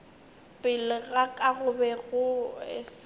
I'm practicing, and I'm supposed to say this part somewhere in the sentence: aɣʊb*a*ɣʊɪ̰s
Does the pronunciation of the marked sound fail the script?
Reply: yes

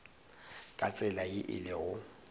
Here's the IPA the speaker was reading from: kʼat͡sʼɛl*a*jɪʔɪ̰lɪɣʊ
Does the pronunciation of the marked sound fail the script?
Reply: no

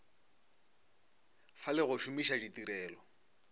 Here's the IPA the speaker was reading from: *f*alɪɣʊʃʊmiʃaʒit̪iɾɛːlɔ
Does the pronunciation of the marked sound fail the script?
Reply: no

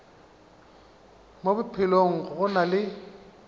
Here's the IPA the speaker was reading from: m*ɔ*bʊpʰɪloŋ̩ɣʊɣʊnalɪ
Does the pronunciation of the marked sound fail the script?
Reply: yes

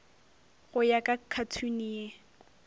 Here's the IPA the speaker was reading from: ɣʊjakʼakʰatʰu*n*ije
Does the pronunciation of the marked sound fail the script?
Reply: no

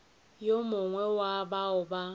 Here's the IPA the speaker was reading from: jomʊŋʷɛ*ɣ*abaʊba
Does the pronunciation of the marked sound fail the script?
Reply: yes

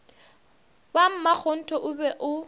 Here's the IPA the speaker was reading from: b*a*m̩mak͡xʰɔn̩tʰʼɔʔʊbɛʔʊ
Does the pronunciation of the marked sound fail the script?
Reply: no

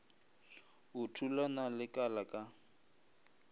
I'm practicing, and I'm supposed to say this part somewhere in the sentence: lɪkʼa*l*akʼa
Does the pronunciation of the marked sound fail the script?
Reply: no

